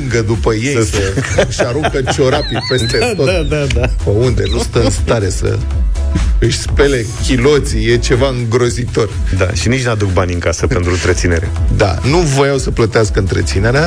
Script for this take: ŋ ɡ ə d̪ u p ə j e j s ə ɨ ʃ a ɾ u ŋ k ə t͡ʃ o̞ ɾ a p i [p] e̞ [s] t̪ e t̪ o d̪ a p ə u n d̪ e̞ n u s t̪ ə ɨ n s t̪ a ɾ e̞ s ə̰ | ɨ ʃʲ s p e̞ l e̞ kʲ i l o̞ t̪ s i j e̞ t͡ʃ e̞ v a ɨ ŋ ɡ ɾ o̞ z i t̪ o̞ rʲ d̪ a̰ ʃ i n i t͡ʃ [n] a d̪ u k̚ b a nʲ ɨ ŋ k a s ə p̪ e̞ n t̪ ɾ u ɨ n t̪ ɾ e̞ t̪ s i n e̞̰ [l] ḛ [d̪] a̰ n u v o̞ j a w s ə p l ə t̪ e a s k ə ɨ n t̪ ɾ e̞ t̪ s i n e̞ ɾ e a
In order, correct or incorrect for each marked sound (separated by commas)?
correct, correct, correct, incorrect, correct